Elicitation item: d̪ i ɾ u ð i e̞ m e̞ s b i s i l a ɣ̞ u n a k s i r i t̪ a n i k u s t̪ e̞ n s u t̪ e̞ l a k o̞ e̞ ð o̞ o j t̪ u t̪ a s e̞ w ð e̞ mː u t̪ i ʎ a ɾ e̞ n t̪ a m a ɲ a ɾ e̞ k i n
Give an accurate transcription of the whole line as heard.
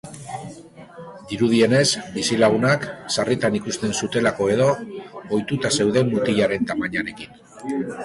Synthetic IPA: d̪ i ɾ u ð i e̞ n e̞ s b i s i l a ɣ̞ u n a k s a r i t̪ a n i k u s t̪ e̞ n s u t̪ e̞ l a k o̞ e̞ ð o̞ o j t̪ u t̪ a s e̞ w ð e̞ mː u t̪ i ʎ a ɾ e̞ n t̪ a m a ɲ a ɾ e̞ k i n